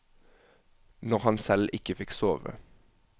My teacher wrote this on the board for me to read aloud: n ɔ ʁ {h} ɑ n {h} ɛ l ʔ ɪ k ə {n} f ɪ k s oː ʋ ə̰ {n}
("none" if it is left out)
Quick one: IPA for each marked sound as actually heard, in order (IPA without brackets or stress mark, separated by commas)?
h, s, none, none